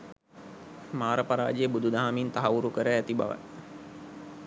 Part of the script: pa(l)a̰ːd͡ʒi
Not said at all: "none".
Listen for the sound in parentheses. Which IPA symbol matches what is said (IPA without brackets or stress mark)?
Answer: ɾ